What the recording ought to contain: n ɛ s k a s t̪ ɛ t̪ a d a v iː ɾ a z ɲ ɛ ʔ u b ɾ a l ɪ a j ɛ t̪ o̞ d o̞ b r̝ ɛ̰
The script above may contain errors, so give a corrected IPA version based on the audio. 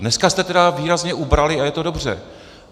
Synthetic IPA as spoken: n ɛ s k a s t̪ ɛ t̪ ɛ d a v iː ɾ a z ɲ ɛ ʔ u b ɾ a l ɪ a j ɛ t̪ o̞ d o̞ b r̝ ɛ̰